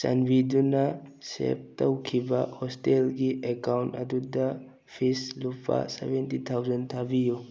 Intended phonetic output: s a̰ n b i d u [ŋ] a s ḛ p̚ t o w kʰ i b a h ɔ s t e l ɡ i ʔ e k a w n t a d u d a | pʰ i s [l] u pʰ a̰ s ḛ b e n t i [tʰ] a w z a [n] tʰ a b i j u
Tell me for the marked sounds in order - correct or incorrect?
incorrect: n, correct, correct, correct

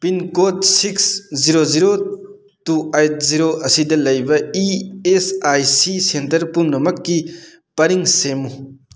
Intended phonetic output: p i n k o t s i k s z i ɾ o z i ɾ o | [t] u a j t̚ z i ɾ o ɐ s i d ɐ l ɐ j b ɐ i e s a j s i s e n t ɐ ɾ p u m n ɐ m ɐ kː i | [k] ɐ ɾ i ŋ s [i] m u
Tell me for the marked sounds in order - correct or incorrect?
correct, incorrect: p, incorrect: e

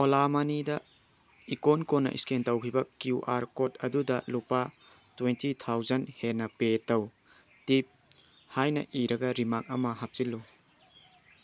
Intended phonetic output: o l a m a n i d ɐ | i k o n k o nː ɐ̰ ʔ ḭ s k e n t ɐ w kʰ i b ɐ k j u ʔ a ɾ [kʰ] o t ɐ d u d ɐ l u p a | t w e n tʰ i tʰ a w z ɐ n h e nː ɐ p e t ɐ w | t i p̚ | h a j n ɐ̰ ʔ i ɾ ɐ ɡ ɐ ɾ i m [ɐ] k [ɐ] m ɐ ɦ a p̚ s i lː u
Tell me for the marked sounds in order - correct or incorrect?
incorrect: k, incorrect: a, correct

